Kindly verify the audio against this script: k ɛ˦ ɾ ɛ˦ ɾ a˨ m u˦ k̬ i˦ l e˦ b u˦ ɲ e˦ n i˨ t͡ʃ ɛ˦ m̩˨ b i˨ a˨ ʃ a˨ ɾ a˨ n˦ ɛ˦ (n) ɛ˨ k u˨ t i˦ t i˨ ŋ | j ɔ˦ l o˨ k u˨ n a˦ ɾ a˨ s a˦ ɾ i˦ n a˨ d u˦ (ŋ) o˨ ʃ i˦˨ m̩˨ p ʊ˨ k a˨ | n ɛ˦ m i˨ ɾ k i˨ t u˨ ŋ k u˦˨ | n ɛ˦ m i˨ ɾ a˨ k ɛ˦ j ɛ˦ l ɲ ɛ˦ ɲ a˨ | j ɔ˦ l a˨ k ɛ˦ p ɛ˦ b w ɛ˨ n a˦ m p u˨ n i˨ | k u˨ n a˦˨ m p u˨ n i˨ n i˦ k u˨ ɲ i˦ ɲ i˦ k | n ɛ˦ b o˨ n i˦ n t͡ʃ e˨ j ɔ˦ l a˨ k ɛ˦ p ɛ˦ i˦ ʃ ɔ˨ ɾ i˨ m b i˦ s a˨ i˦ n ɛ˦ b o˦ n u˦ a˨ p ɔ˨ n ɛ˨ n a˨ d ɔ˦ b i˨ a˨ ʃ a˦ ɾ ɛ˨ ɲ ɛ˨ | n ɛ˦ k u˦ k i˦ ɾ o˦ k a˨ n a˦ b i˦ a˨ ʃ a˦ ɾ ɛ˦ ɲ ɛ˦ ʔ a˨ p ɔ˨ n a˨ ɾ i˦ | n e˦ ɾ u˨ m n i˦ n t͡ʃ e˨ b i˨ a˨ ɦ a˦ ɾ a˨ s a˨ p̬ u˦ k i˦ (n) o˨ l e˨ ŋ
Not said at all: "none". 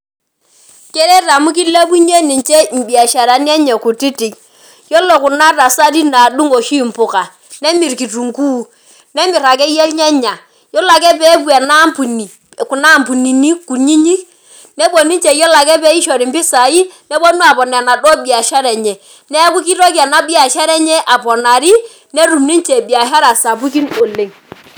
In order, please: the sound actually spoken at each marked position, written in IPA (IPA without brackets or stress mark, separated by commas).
ɲ, ŋ, n